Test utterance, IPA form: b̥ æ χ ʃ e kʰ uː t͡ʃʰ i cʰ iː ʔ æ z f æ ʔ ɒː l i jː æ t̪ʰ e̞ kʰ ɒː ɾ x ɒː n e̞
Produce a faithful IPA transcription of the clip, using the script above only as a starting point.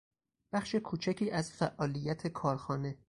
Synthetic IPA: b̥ æ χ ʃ e kʰ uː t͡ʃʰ æ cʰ iː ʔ æ z f æ ʔ ɒː l i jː æ t̪ʰ e̞ kʰ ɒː ɾ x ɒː n e̞

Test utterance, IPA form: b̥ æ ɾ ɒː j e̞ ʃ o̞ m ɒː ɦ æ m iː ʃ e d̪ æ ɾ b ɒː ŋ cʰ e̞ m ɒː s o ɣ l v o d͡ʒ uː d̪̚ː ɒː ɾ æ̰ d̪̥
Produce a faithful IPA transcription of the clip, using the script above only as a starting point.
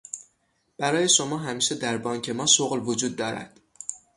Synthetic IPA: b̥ æ ɾ ɒː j e̞ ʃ o̞ m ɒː ɦ æ m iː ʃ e d̪ æ ɾ b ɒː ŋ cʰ e̞ m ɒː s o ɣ l v o d͡ʒ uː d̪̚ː ɒː ɾ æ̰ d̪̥

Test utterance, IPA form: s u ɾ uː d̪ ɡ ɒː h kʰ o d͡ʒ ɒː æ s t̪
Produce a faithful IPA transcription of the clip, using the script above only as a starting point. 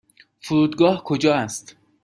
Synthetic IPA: f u ɾ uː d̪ ɡ ɒː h kʰ o d͡ʒ ɒː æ s t̪

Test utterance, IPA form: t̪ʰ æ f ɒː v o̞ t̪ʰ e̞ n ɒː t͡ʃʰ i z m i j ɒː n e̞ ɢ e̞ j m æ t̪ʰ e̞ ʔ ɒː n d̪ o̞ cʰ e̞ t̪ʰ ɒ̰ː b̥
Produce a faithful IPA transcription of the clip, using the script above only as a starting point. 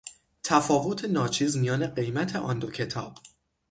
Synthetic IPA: t̪ʰ æ f ɒː v o̞ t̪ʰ e̞ n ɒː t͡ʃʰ iː z m i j ɒː n e̞ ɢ e̞ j m æ t̪ʰ e̞ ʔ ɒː n d̪ o̞ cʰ e̞ t̪ʰ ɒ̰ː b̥

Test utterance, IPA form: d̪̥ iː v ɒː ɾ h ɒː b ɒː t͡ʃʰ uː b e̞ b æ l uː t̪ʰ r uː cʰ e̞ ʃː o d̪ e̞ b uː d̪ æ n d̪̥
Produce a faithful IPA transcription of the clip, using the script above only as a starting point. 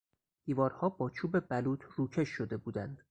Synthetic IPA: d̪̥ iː v ɒː ɾ h ɒː b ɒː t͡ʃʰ uː b e̞ b æ l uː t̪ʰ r uː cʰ e̞ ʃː o d̪ e̞ b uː d̪ æ n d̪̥

